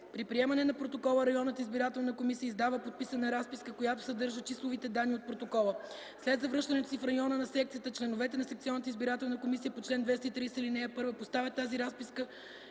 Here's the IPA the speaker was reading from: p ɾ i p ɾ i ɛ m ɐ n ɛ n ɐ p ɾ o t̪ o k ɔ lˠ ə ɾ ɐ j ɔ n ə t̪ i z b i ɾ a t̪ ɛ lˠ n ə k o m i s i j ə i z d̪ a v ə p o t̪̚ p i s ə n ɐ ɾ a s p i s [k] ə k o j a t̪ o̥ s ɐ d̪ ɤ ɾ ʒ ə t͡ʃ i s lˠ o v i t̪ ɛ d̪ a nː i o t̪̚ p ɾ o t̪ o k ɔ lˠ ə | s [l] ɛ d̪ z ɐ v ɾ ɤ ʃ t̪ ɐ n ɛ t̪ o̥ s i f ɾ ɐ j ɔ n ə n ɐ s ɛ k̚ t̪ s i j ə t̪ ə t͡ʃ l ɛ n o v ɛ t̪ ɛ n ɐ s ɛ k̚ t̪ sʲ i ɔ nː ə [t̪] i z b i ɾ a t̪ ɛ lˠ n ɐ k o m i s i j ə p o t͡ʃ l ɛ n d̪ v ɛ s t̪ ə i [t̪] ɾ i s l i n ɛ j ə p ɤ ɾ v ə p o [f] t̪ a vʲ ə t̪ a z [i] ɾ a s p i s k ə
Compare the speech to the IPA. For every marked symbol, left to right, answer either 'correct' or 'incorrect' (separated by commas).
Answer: correct, correct, correct, correct, incorrect, correct